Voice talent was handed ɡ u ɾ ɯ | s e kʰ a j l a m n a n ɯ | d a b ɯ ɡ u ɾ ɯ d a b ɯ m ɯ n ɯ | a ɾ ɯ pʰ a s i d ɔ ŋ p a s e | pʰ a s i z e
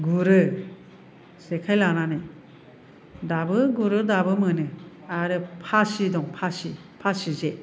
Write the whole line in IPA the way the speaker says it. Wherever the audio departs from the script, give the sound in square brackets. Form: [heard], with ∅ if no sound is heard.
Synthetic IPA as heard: ɡ u ɾ ɯ | s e kʰ a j l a [∅] n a n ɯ | d a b ɯ ɡ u ɾ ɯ d a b ɯ m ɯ n ɯ | a ɾ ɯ pʰ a s i d ɔ ŋ [pʰ] a s [i] | pʰ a s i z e